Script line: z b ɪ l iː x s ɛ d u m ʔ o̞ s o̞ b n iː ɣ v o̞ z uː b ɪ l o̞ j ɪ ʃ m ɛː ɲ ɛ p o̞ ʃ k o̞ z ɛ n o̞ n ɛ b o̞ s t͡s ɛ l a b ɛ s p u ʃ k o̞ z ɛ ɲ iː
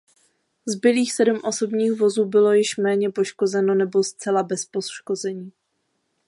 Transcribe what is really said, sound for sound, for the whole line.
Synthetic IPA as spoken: z b ɪ l iː x s ɛ d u m ʔ o̞ s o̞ b ɲ iː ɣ v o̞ z uː b ɪ l o̞ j ɪ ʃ m ɛː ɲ ɛ p o̞ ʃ k o̞ z ɛ n o̞ n ɛ b o̞ s t͡s ɛ l a b ɛ s p o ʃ k o̞ z ɛ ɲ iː